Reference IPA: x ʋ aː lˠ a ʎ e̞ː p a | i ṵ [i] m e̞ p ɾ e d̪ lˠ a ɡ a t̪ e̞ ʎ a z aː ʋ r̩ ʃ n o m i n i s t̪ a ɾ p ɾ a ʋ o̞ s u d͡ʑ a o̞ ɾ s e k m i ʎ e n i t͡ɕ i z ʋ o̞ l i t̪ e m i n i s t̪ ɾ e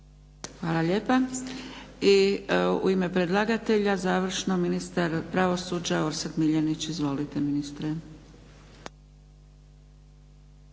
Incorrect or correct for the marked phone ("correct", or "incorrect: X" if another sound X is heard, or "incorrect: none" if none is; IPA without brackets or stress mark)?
correct